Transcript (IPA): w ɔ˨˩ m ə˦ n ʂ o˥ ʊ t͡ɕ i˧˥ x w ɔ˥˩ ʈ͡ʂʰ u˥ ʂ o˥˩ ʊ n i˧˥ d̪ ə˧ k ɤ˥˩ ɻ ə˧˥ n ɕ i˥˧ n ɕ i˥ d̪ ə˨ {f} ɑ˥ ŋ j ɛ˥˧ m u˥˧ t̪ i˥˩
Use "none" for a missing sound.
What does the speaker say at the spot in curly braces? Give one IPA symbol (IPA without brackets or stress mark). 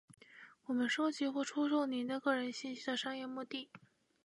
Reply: ʂ